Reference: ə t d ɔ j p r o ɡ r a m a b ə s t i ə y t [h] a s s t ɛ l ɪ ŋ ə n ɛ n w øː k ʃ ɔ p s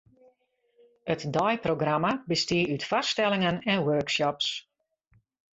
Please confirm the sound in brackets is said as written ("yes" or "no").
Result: no